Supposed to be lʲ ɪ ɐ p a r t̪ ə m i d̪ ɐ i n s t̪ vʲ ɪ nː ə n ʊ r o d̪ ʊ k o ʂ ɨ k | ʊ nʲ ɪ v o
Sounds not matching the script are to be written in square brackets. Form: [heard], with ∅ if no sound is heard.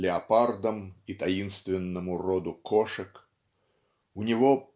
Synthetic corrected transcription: lʲ ɪ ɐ p a r [d̪] ə m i [t̪] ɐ i n s t̪ vʲ ɪ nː ə [m] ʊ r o d̪ ʊ k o ʂ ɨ k | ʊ nʲ ɪ v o